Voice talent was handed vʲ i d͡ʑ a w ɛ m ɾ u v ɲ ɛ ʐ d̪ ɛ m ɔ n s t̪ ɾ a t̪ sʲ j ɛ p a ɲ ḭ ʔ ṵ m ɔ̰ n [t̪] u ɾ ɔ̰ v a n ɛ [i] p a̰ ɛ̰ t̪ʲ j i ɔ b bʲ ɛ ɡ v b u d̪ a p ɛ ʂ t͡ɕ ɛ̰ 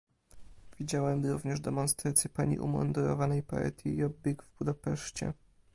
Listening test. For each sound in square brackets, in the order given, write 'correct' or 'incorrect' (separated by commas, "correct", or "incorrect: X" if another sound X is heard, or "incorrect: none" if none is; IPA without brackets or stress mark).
incorrect: d̪, incorrect: j